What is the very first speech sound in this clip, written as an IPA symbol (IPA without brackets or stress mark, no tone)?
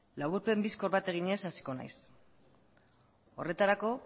l